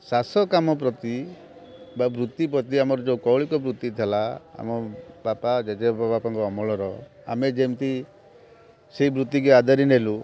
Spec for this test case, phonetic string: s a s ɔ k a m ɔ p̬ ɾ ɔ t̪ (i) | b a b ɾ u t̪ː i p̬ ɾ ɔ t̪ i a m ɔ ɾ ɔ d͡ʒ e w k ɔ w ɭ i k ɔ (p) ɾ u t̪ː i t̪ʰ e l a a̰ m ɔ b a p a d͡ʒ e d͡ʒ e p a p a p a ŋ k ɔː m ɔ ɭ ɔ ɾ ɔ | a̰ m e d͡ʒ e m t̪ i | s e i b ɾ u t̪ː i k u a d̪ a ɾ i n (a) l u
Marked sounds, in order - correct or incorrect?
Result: correct, incorrect: b, incorrect: e

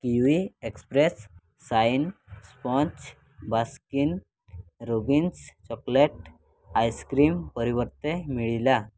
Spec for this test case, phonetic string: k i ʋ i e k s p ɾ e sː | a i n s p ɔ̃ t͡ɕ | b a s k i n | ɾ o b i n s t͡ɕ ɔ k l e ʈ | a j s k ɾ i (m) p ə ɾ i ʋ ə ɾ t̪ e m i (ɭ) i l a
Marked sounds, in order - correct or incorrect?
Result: correct, correct

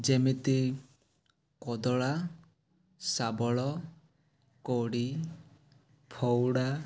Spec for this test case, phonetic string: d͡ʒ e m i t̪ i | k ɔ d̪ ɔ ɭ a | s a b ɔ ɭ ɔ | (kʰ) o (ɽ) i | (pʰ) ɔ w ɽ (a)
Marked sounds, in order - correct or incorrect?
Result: incorrect: k, correct, correct, correct

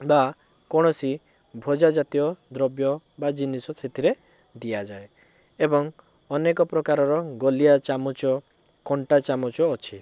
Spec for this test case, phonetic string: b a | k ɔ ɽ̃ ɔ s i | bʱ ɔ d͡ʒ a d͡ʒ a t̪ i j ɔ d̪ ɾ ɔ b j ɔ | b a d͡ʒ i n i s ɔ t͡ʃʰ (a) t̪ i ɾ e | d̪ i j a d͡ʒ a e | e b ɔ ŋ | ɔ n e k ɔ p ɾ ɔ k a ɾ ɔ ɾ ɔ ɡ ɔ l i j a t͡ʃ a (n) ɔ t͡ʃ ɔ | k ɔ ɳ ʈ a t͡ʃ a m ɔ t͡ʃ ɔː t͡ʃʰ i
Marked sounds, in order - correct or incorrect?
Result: incorrect: e, incorrect: m

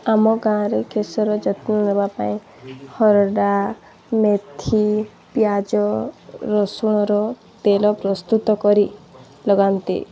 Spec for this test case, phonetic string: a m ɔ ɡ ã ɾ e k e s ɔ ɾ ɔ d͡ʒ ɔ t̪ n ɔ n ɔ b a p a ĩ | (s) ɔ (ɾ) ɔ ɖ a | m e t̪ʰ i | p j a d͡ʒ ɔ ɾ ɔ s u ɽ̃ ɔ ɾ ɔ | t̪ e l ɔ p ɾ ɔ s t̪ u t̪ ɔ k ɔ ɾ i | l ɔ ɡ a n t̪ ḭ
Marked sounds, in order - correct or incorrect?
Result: incorrect: h, correct

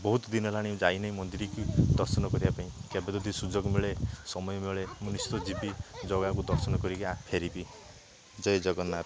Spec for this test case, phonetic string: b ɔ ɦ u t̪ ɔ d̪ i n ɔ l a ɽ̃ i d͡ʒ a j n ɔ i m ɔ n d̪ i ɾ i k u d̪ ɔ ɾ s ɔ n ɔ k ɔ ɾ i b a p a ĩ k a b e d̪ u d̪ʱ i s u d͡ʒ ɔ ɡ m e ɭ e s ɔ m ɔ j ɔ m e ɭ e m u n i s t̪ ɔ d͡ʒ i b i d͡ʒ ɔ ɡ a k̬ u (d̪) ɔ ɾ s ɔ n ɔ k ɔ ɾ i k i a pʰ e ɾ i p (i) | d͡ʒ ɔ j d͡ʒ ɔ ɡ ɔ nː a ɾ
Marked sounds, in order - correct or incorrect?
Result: correct, correct

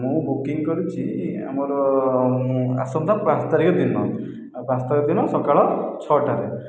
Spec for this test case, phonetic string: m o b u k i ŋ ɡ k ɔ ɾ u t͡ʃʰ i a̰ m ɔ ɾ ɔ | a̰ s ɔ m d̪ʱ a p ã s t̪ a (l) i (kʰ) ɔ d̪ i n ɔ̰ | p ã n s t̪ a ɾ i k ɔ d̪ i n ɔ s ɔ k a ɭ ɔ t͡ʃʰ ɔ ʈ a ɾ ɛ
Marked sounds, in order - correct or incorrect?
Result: incorrect: ɾ, incorrect: k

